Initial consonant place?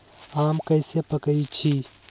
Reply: labial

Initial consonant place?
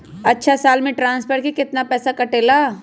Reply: alveolar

